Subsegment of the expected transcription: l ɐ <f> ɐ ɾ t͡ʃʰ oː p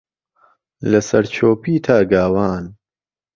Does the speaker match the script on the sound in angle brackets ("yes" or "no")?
no